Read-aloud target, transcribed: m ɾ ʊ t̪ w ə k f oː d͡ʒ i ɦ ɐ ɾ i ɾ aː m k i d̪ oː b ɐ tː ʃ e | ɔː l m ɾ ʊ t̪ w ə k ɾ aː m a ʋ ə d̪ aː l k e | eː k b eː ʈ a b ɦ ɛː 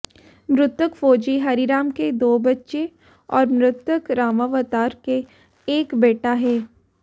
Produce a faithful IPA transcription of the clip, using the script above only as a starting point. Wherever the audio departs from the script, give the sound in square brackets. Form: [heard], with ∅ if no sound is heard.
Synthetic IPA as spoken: m ɾ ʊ t̪ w ə k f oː d͡ʒ i ɦ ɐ ɾ i ɾ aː m k [e] d̪ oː b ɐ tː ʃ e | ɔː [ɾ] m ɾ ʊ t̪ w ə k ɾ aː m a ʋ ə [t̪] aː [ɾ] k e | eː k b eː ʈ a [∅] ɦ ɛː